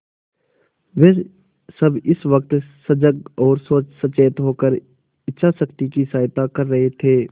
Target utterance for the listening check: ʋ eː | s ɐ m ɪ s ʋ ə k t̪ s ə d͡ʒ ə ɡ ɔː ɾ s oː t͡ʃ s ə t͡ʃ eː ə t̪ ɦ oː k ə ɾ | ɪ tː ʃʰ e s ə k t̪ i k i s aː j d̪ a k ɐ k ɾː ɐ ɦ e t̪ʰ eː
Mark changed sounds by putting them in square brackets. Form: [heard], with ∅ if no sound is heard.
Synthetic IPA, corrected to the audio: ʋ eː | s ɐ [b] ɪ s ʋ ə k t̪ s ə d͡ʒ ə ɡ ɔː ɾ s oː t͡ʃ s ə t͡ʃ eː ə t̪ ɦ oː k ə ɾ | ɪ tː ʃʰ [a] s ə k t̪ i k i s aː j [t̪] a k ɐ [∅] ɾː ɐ ɦ e t̪ʰ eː